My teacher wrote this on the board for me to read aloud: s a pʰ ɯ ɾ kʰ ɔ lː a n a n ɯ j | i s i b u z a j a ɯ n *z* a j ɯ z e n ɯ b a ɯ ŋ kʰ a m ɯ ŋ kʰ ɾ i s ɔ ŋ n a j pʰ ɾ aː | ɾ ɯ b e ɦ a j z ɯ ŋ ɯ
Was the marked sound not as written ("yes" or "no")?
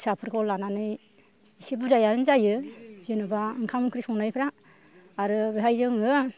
no